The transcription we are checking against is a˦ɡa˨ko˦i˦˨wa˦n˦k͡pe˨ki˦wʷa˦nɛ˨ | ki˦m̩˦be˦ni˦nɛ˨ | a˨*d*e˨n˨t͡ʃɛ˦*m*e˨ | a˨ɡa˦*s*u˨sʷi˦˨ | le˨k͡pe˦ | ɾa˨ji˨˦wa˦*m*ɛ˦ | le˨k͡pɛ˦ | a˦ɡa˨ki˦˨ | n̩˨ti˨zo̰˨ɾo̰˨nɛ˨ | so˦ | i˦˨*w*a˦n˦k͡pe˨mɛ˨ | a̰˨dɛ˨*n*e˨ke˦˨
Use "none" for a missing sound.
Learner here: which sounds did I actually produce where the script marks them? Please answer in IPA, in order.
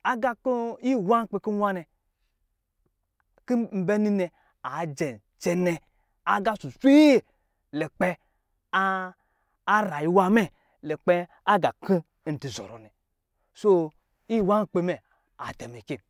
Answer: d͡ʒ, n, s, m, w, m

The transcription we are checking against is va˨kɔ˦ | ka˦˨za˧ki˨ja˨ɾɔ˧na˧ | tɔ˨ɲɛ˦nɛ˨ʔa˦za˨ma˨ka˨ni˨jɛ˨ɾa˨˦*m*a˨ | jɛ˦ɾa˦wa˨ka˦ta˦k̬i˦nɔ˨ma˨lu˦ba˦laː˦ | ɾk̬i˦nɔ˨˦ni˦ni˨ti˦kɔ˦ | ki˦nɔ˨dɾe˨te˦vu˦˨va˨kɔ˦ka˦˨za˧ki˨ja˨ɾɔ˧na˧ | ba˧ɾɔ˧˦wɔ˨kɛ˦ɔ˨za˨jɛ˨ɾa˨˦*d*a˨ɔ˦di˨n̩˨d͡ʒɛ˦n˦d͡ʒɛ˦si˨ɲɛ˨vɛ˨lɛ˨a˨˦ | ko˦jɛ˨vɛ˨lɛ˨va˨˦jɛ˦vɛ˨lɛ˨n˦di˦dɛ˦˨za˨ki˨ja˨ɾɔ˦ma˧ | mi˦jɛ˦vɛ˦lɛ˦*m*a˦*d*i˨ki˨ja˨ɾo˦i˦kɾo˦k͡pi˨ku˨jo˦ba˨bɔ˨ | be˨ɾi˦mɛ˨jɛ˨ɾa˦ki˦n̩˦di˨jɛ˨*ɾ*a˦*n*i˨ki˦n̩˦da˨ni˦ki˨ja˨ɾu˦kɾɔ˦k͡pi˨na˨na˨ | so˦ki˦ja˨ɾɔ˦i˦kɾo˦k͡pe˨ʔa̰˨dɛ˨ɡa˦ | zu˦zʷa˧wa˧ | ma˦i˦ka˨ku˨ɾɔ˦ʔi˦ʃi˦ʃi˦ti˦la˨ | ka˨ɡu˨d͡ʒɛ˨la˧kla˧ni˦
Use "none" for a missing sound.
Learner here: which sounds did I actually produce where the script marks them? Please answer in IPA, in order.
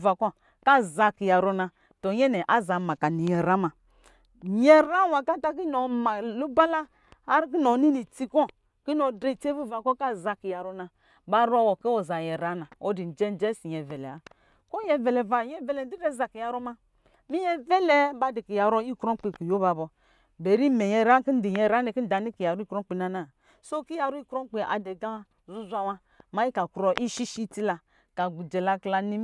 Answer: m, n, b, d, ɾ, n

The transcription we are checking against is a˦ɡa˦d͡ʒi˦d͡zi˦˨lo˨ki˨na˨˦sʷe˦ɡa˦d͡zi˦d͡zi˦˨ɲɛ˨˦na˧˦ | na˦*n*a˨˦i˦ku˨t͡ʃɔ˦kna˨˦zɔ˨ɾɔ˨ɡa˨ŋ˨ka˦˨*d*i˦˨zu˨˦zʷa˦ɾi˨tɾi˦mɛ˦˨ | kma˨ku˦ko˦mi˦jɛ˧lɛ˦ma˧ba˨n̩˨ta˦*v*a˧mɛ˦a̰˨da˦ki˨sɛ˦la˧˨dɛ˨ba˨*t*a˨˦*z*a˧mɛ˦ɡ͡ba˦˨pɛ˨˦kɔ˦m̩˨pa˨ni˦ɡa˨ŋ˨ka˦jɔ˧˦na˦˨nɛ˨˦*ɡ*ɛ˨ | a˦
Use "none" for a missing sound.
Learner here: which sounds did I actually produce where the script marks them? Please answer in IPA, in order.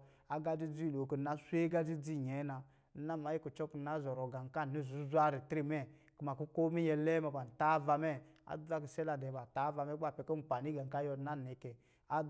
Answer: m, n, v, t, v, k

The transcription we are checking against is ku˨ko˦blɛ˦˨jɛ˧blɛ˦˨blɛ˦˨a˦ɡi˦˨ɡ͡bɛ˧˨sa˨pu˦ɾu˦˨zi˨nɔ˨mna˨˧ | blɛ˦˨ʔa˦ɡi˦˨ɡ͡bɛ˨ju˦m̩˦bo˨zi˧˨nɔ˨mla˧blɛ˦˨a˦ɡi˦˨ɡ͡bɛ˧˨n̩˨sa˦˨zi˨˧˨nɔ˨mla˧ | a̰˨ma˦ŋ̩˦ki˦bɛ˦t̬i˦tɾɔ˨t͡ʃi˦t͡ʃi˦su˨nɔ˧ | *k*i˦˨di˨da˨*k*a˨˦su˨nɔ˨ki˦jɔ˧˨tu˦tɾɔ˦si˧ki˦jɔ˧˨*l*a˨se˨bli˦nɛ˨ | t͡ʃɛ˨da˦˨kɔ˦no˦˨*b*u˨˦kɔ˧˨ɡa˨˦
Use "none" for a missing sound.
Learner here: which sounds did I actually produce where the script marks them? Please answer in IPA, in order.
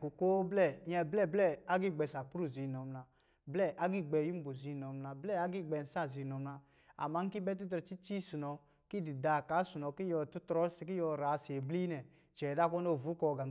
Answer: k, k, ɾ, v

